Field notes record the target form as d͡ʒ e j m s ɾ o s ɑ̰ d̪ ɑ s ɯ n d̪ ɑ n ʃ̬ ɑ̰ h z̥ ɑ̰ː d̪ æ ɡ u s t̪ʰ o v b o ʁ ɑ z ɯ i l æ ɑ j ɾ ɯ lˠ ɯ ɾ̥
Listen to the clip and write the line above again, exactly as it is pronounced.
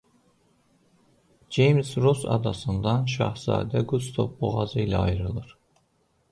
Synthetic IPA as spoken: d͡ʒ e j m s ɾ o s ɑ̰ d̪ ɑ s ɯ n d̪ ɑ n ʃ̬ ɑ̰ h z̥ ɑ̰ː d̪ æ ɡ u s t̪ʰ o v b o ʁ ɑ z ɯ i l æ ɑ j ɾ ɯ lˠ ɯ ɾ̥